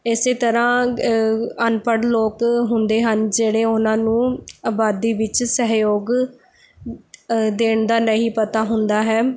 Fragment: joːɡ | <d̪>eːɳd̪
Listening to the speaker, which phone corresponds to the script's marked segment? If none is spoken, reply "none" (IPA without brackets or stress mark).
d̪